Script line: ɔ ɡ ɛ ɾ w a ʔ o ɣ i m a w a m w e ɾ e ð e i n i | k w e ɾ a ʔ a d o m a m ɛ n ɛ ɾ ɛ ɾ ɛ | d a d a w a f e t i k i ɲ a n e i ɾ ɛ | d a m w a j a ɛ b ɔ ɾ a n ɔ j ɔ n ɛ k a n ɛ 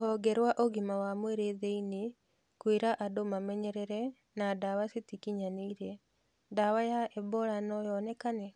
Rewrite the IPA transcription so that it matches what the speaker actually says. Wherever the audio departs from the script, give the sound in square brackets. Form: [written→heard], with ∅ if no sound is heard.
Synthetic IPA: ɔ ɡ ɛ ɾ w a ʔ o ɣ i m a w a m w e ɾ e ð e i n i | k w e ɾ a ʔ a d o m a m ɛ [n→ɲ] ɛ ɾ ɛ ɾ ɛ | [d→n] a d a w a [f→s] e t i k i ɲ a n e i ɾ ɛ | d a [m→∅] w a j a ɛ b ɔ ɾ a n ɔ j ɔ n ɛ k a n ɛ